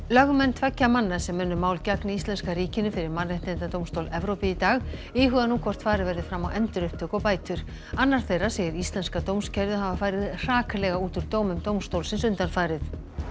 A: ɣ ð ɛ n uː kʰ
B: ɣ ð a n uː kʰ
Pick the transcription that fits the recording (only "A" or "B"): B